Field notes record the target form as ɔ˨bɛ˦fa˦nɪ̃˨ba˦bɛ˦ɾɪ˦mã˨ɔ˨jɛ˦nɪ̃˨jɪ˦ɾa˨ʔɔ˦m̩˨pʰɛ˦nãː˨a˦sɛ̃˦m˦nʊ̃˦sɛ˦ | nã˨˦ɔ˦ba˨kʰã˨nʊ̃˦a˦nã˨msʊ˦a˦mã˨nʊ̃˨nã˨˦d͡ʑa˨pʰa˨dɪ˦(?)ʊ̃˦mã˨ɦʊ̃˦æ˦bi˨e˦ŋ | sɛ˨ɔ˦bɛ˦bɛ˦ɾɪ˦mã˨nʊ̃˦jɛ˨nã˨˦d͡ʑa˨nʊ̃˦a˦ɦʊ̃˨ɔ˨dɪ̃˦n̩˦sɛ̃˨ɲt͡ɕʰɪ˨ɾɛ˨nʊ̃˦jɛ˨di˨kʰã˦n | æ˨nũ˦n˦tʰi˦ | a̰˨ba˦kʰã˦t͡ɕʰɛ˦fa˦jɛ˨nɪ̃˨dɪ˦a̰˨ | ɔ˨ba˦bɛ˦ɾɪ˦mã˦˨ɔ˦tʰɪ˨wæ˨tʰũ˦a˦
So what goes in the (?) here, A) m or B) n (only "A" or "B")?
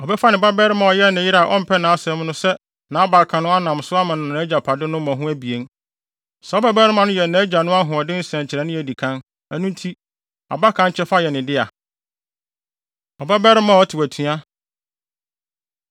B